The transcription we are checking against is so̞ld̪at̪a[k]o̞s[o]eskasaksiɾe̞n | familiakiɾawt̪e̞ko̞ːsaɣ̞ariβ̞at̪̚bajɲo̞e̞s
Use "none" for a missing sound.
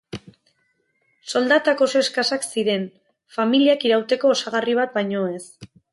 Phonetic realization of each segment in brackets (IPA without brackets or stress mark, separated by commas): k, o